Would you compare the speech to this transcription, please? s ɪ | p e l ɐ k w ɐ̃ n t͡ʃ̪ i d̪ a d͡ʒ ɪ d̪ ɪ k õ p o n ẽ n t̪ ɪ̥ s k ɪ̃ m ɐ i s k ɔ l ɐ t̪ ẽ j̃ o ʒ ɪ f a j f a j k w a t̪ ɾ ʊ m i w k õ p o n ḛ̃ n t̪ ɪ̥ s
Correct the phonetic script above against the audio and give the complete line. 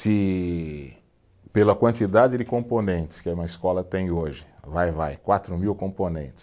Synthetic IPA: s ɪ | p e l ɐ k w ɐ̃ n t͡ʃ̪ i d̪ a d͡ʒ ɪ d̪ ɪ k õ p o n ẽ n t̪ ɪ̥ s k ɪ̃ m ɐ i s k ɔ l ɐ t̪ ẽ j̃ o ʒ ɪ v a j v a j k w a t̪ ɾ ʊ m i w k õ p o n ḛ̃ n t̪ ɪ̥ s